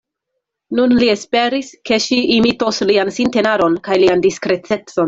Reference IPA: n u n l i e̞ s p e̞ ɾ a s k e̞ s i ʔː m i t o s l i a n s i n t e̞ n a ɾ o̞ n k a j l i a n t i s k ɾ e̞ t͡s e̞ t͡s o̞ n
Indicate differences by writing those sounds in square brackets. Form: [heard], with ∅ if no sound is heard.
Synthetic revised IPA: n u n l i e̞ s p e̞ ɾ [i] s k e̞ [ʃ] i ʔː m i t o s l i a n s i n t e̞ n a ɾ o̞ n k a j l i a n [d] i s k ɾ e̞ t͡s e̞ t͡s o̞ n